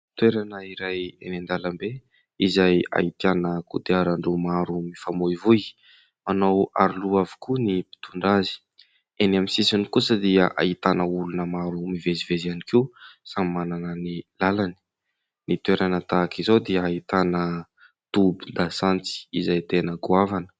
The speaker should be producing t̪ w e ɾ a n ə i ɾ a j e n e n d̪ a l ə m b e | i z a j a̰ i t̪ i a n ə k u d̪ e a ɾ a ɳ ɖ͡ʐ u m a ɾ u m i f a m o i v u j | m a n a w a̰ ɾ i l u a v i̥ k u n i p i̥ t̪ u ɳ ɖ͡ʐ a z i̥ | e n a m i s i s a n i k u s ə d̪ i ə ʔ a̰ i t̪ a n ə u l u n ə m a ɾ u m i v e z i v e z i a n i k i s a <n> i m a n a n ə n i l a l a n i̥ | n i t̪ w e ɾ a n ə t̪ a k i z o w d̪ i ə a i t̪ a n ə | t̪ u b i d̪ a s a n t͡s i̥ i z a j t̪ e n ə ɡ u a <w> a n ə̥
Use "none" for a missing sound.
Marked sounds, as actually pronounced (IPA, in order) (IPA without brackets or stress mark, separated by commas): m, v